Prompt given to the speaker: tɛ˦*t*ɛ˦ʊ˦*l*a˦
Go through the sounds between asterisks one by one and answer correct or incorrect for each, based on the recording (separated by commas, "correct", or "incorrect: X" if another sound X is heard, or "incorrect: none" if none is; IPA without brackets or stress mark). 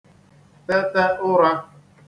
correct, incorrect: ɾ